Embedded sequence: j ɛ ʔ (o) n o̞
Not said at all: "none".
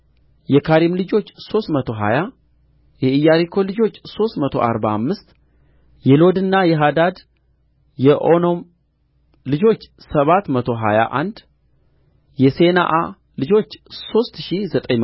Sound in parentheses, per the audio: o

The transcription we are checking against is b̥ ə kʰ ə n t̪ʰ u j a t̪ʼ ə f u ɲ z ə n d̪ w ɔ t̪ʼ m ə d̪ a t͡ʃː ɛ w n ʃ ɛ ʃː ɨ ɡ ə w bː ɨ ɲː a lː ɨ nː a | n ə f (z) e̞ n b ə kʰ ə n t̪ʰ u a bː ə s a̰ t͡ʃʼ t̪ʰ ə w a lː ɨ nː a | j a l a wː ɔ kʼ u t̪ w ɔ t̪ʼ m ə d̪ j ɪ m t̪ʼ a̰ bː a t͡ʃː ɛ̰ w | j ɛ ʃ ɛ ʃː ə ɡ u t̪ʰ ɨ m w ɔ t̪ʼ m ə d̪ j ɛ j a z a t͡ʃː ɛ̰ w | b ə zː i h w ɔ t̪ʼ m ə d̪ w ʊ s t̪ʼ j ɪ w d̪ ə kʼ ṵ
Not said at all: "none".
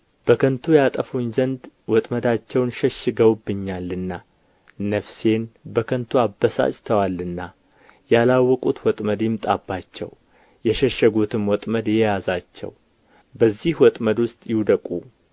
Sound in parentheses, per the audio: s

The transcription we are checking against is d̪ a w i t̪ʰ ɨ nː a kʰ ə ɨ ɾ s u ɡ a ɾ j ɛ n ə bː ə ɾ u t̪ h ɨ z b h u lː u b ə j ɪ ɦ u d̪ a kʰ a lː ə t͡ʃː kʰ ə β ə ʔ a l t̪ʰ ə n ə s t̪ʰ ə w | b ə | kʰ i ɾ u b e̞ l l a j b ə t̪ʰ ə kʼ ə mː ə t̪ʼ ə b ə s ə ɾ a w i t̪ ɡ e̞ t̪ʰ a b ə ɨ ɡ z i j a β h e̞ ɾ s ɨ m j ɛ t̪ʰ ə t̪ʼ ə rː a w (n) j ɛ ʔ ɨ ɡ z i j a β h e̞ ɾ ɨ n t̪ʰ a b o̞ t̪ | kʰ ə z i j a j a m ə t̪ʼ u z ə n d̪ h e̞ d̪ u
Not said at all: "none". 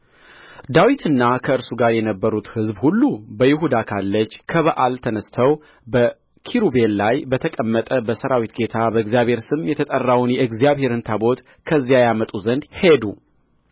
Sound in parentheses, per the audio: n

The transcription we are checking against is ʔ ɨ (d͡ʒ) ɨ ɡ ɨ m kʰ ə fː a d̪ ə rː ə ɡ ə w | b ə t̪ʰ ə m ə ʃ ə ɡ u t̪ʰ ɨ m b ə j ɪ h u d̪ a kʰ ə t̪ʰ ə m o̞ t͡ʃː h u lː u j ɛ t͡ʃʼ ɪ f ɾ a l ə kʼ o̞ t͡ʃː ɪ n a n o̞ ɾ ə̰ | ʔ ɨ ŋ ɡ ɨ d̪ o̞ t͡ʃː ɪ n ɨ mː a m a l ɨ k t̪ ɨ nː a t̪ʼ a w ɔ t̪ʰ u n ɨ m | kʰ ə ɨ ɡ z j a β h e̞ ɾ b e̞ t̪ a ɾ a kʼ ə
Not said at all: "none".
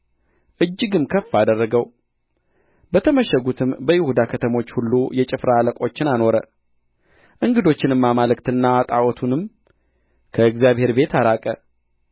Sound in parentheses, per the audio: d͡ʒː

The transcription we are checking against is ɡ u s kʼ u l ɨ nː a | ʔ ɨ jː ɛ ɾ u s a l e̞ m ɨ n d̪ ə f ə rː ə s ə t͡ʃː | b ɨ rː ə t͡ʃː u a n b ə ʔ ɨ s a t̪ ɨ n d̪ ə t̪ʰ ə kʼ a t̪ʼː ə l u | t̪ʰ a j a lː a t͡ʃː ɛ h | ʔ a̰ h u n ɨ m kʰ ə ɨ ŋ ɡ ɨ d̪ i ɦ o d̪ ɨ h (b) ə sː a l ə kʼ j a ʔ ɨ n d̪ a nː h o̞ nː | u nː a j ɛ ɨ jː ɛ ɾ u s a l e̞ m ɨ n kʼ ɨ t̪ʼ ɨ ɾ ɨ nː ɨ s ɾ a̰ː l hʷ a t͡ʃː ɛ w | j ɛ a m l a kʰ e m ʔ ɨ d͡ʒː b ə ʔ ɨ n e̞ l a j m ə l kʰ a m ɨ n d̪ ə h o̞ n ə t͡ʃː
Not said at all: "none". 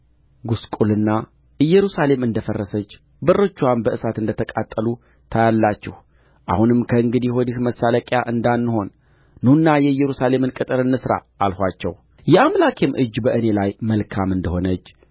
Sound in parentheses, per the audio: m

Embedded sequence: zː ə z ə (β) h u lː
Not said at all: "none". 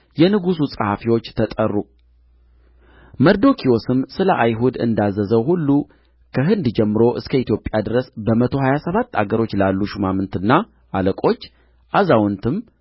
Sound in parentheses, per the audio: w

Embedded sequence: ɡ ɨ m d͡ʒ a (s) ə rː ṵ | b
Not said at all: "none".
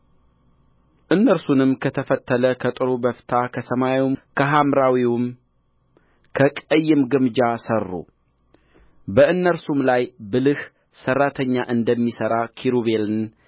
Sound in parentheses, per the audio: s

